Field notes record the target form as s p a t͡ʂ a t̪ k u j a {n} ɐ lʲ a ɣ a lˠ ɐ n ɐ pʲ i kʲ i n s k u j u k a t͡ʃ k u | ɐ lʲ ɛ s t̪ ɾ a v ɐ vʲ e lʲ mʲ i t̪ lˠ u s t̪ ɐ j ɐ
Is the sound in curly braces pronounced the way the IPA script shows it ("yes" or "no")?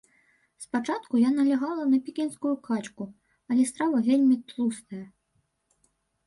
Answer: yes